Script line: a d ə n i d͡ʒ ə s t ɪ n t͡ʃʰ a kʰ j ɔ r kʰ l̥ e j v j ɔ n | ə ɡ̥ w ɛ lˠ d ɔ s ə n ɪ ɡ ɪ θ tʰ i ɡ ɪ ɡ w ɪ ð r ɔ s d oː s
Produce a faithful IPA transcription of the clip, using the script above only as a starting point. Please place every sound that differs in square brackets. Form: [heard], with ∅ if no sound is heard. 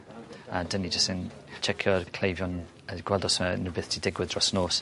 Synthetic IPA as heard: a d ə n i d͡ʒ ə s t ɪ n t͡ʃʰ [ɛ] kʰ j ɔ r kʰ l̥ e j v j ɔ n | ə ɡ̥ w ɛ lˠ d ɔ s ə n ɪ [b] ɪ θ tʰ i [d] ɪ ɡ w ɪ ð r ɔ s [n] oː s